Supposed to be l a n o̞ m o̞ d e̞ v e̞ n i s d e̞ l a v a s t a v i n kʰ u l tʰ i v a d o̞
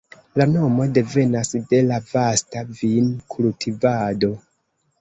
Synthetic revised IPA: l a n o̞ m o̞ d e̞ v e̞ n a s d e̞ l a v a s t a v i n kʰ u l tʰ i v a d o̞

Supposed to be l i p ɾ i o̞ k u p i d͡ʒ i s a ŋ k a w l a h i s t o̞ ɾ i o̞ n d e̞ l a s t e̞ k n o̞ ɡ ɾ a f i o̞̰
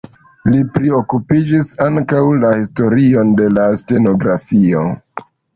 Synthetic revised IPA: l i p ɾ i o̞ k u p i d͡ʒ i s a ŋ k a w l a h i s t o̞ ɾ i o̞ n d e̞ l a s t e̞ n o̞ ɡ ɾ a f i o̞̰

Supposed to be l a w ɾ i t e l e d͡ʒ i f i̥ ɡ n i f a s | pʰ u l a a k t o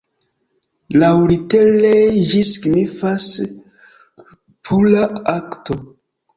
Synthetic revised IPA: l a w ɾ i t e l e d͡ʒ i s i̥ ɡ n i f a s | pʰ u l a a k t o

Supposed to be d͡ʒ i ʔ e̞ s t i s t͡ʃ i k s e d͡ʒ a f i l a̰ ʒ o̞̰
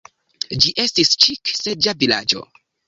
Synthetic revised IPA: d͡ʒ i ʔ e̞ s t i s t͡ʃ i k s e d͡ʒ a v i l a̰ d͡ʒ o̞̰

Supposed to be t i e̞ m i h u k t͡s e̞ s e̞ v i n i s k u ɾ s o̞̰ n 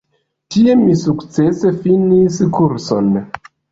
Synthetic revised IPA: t i e̞ m i s u k t͡s e̞ s e̞ f i n i s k u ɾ s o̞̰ n

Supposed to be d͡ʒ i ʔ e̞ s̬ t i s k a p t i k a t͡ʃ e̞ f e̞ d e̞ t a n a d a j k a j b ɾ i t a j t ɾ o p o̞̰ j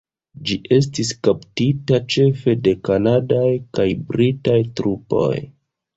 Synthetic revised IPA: d͡ʒ i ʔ e̞ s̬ t i s k a p t i t a t͡ʃ e̞ f e̞ d e̞ k a n a d a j k a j b ɾ i t a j t ɾ u p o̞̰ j

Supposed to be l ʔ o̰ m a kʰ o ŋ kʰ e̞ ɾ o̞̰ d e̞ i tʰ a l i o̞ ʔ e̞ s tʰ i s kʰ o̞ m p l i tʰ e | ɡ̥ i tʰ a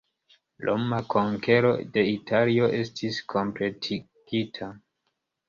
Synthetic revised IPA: l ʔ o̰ m a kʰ o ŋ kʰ e̞ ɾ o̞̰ d e̞ i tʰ a l i o̞ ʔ e̞ s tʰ i s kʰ o̞ m p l e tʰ i | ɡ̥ i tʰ a

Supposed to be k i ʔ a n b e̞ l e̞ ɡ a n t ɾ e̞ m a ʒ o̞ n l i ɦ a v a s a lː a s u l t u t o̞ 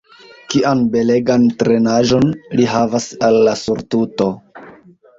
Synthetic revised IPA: k i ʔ a n b e̞ l e̞ ɡ a n t ɾ e̞ n a ʒ o̞ n l i ɦ a v a s a lː a s u ɾ t u t o̞

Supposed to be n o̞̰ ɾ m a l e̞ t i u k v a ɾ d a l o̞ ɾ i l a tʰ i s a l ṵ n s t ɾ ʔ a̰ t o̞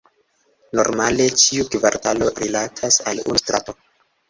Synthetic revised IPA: n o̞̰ ɾ m a l e̞ t͡ʃ i u k v a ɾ t a l o̞ ɾ i l a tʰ a s a l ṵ n s t ɾ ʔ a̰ t o̞

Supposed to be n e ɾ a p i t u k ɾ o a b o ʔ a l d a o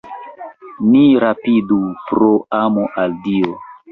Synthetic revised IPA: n i ɾ a p i d u p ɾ o a m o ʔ a l d i o

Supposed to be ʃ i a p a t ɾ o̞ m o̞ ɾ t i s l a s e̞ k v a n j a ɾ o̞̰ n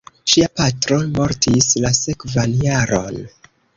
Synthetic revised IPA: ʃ i a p a t ɾ o̞ m o̞ ɾ t i s l a s e̞ k v a n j a ɾ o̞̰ n

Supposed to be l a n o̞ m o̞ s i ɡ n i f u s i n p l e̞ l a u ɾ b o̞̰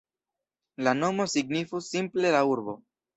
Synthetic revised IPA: l a n o̞ m o̞ s i ɡ n i f u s i m p l e̞ l a u ɾ b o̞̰

